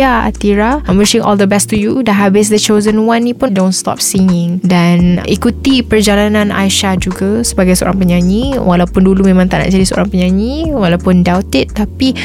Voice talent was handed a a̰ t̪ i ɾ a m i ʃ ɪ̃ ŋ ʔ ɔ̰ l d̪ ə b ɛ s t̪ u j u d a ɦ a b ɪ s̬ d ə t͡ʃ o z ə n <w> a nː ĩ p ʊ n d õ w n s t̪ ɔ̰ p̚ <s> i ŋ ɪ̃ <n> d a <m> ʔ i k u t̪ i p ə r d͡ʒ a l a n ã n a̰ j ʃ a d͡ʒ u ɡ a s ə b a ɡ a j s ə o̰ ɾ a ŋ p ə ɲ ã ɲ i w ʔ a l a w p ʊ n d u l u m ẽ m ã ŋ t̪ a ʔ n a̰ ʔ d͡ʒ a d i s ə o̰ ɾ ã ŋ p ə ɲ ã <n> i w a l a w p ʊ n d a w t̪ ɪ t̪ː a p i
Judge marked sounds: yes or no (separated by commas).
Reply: yes, yes, no, no, no